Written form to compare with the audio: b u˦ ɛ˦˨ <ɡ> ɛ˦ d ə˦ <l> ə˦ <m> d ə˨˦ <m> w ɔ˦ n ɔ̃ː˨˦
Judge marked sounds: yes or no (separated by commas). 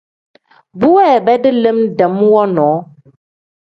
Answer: no, yes, yes, yes